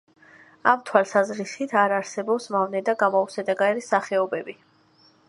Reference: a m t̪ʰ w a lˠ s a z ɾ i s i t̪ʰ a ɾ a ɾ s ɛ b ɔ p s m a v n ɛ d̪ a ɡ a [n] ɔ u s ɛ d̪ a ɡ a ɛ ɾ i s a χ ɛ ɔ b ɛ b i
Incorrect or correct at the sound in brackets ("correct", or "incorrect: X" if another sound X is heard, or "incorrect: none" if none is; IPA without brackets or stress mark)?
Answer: incorrect: m